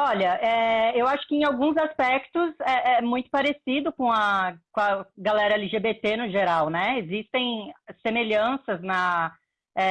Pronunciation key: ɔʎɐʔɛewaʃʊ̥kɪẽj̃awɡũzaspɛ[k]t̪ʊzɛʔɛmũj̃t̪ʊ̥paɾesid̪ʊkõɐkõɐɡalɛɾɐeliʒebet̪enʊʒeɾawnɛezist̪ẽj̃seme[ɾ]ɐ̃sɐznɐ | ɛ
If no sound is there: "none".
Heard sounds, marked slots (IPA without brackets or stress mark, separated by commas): k, ʎ